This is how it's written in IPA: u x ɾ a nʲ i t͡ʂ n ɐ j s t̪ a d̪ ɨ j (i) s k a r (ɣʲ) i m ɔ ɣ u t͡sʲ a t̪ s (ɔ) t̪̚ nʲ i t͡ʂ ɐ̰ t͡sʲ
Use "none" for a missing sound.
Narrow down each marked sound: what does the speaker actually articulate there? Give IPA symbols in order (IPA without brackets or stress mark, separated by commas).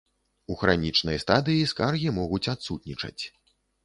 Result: i, ɣʲ, u